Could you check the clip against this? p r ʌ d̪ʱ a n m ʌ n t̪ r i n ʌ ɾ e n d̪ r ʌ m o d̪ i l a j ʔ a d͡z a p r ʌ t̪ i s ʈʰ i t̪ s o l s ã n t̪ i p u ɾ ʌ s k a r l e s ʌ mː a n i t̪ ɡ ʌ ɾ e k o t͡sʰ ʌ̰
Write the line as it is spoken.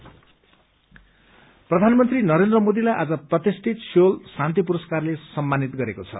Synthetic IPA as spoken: p r ʌ d̪ʱ a n m ʌ n t̪ r i n ʌ ɾ e n d̪ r ʌ m o d̪ i l a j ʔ a d͡z ʌ p r ʌ t̪ i s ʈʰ i t̪ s o l s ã n t̪ i p u ɾ ʌ s k a r l e s ʌ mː a n i t̪ ɡ ʌ ɾ e k o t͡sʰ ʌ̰